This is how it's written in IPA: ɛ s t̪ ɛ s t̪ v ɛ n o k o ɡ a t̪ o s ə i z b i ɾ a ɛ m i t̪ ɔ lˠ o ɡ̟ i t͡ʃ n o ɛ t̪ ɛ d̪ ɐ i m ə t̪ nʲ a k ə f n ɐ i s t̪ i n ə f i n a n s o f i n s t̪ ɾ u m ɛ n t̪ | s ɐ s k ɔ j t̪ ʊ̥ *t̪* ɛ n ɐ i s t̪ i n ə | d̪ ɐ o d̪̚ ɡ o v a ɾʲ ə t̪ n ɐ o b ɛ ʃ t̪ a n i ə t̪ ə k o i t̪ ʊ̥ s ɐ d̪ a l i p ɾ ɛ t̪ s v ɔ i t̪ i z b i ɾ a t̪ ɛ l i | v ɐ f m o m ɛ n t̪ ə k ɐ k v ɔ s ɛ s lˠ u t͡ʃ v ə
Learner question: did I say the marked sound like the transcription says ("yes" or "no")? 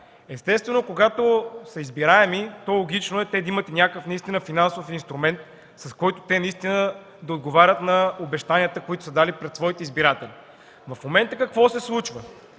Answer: yes